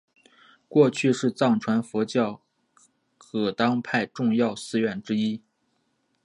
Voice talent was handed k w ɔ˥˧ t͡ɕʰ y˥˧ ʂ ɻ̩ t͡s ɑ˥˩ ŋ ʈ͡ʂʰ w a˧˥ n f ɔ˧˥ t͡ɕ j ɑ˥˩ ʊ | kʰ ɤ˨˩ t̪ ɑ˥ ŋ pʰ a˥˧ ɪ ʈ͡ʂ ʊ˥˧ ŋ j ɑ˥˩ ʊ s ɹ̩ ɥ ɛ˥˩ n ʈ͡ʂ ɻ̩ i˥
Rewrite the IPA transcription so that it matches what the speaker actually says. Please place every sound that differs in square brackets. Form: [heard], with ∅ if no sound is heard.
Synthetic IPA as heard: k w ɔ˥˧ t͡ɕʰ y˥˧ ʂ ɻ̩ t͡s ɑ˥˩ ŋ ʈ͡ʂʰ w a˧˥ n f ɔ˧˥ t͡ɕ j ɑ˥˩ ʊ | kʰ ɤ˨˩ t̪ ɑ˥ ŋ pʰ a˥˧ ɪ ʈ͡ʂ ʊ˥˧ ŋ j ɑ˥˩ ʊ s ɹ̩ ɥ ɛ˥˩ n ʈ͡ʂ ɻ̩ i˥